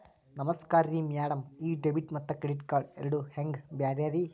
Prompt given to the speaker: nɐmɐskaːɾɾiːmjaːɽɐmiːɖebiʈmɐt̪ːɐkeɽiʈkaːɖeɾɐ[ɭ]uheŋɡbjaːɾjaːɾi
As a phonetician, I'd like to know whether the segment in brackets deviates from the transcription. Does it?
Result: yes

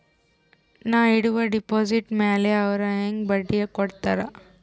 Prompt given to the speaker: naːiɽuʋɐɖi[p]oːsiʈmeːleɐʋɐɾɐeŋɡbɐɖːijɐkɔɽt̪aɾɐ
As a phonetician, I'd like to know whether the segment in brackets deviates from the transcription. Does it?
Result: no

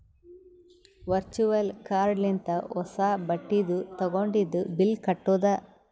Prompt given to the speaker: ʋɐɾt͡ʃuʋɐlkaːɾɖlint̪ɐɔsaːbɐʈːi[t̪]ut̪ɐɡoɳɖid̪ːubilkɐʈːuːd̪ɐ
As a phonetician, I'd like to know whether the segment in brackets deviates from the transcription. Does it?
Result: yes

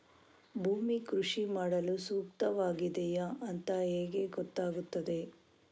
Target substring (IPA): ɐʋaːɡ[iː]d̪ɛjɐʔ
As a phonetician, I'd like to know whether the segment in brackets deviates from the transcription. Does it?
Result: yes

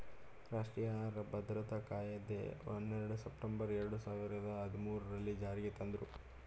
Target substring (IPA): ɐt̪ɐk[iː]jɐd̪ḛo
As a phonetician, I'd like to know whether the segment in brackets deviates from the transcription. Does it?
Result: yes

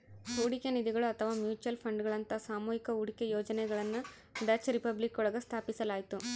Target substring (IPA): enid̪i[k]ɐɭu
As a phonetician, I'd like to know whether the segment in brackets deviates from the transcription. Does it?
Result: yes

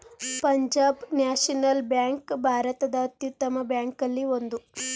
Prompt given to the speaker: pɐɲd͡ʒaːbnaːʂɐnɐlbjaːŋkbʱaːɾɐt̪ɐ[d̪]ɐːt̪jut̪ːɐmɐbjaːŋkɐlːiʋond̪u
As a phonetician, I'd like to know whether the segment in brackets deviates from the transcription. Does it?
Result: no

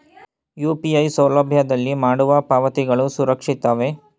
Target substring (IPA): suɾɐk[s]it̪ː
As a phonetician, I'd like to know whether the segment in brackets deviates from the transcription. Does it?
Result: yes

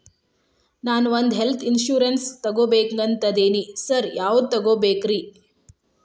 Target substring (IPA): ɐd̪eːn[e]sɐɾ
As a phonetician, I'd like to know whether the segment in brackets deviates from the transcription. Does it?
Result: yes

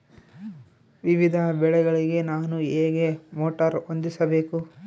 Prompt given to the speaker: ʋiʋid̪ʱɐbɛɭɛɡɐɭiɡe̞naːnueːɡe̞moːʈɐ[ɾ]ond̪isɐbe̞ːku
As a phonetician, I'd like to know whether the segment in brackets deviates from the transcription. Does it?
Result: no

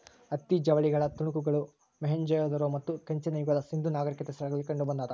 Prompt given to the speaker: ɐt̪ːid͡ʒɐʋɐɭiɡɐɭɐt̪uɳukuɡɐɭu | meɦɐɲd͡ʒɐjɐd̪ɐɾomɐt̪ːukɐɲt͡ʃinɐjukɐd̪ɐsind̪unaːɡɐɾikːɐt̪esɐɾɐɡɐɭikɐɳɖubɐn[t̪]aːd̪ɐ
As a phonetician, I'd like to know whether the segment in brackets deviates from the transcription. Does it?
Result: yes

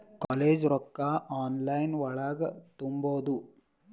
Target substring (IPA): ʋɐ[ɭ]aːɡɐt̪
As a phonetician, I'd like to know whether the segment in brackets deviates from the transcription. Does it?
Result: no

